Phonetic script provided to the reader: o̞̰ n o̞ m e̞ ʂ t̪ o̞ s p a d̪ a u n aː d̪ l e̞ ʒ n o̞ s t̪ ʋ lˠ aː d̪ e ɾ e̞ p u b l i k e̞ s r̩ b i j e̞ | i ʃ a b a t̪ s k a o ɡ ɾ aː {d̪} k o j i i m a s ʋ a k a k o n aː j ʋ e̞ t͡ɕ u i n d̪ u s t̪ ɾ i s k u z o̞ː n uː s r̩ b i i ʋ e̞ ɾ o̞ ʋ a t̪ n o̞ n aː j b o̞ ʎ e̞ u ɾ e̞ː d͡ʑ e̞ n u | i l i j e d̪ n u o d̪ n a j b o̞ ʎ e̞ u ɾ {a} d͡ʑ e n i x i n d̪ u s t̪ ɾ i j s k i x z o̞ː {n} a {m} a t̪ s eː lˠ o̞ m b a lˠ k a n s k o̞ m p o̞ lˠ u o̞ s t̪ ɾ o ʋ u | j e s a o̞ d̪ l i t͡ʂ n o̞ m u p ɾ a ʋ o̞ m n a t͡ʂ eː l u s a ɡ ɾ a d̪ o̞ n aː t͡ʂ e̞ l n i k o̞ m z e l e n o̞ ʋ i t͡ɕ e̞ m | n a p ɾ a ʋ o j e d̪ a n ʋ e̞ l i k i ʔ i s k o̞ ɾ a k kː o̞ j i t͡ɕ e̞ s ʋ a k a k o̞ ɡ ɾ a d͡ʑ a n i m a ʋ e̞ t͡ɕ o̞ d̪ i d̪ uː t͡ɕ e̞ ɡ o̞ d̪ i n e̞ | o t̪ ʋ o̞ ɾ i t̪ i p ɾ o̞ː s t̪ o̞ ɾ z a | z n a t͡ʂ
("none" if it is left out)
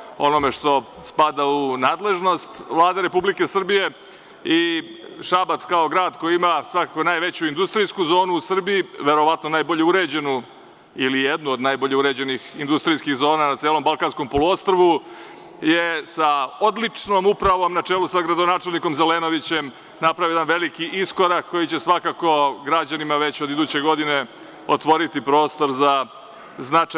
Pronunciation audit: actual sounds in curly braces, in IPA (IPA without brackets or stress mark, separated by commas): d̪, e, n, n